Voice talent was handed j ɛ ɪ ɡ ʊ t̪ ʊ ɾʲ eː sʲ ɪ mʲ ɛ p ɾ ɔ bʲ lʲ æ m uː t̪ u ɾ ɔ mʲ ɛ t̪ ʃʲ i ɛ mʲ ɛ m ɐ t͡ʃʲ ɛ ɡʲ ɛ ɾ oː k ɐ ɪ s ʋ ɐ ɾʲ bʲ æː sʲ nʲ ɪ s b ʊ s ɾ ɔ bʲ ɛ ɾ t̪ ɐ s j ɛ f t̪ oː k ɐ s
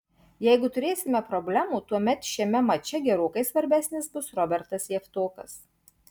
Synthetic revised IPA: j ɛ ɪ ɡ ʊ t̪ ʊ ɾʲ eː sʲ ɪ mʲ ɛ p ɾ ɔ bʲ lʲ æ m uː t̪ u ɔ mʲ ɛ t̪ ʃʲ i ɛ mʲ ɛ m ɐ t͡ʃʲ ɛ ɡʲ ɛ ɾ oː k ɐ ɪ s ʋ ɐ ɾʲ bʲ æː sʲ nʲ ɪ s b ʊ s ɾ ɔ bʲ ɛ ɾ t̪ ɐ s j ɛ f t̪ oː k ɐ s